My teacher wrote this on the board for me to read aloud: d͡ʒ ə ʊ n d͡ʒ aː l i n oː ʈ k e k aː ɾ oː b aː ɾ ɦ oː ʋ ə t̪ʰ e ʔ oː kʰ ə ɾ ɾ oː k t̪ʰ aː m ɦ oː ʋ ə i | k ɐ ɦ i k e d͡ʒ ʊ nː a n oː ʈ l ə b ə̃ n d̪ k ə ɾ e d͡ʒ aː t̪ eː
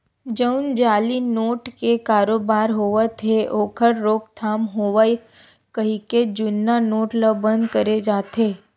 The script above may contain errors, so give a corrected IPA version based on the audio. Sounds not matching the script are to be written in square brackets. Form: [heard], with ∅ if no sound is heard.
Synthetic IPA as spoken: d͡ʒ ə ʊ n d͡ʒ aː l i n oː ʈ k e k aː ɾ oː b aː ɾ ɦ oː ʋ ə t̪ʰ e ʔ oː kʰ ə ɾ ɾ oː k t̪ʰ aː m ɦ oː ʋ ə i | k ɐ ɦ i k e d͡ʒ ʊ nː a n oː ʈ l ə b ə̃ n d̪ k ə ɾ e d͡ʒ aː t̪ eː